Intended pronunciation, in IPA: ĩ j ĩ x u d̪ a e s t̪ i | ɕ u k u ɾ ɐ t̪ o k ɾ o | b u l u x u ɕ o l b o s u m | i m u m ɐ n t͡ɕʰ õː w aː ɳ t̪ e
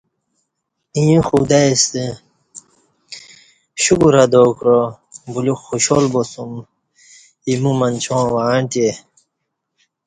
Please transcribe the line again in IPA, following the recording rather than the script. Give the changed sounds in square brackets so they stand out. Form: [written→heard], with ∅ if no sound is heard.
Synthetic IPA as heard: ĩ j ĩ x u d̪ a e s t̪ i | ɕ u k u ɾ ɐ [t̪→d̪] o k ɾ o | b u l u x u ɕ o l b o s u m | i m u m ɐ n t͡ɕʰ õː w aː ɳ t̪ e